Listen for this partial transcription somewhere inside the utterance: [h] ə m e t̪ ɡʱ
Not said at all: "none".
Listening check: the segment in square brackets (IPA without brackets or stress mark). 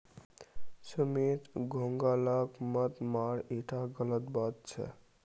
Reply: s